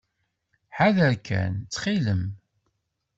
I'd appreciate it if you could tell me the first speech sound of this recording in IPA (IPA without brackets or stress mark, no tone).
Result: ħ